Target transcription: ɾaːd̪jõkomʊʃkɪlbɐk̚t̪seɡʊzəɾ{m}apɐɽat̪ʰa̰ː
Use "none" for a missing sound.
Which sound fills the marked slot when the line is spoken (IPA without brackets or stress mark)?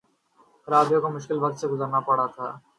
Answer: n